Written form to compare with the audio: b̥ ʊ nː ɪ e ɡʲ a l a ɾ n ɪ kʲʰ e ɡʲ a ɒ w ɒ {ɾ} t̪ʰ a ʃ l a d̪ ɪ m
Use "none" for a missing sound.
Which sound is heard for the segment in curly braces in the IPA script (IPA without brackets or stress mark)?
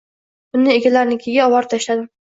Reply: ɾ